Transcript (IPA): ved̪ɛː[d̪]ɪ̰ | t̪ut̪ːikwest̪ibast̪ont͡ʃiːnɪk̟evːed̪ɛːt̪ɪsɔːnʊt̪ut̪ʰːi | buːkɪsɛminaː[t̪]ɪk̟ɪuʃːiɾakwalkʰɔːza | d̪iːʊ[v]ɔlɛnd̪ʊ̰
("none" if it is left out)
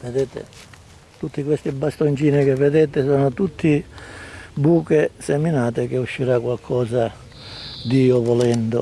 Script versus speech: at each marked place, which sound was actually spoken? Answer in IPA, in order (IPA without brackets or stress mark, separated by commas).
t̪, t̪, v